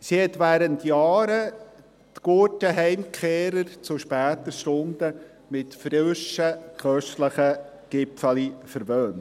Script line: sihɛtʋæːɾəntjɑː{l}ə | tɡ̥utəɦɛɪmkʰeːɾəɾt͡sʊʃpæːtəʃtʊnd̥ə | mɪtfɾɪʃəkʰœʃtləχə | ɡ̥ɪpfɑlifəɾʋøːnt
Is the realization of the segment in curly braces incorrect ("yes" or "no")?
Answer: yes